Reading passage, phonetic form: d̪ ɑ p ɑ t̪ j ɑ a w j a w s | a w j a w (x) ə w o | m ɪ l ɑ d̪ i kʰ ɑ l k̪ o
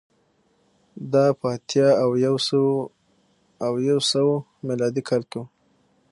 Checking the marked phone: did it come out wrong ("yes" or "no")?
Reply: yes